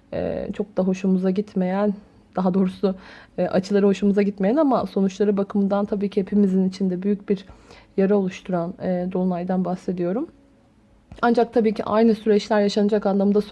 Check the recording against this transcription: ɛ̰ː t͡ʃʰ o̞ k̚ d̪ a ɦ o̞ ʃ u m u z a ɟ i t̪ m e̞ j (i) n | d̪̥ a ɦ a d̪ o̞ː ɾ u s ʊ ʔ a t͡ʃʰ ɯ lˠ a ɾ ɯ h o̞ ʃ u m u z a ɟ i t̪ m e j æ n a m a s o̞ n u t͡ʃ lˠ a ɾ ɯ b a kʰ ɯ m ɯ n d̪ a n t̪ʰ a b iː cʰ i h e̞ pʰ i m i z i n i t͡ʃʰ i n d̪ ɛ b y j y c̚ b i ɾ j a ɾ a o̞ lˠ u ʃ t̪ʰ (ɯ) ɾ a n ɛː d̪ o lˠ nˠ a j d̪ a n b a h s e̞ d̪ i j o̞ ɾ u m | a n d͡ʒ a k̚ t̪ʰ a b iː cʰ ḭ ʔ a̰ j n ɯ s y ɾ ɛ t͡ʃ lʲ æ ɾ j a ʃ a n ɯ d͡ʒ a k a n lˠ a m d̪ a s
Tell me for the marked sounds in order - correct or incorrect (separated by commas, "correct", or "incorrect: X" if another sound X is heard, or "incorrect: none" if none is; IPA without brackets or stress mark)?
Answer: incorrect: æ, incorrect: u